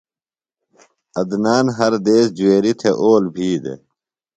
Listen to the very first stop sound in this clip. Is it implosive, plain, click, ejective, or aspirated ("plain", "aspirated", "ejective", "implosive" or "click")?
plain